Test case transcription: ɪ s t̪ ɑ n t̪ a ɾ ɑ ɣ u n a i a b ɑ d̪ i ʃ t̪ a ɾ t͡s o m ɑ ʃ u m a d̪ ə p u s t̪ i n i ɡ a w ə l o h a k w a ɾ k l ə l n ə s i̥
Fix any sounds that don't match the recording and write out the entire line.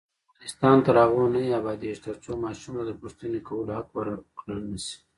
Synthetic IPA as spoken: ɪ s t̪ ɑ n t̪ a ɾ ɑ ɣ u n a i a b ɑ d̪ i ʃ t̪ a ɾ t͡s o m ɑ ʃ u m a d̪ ə p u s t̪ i n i k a w ə l o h a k w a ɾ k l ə l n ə s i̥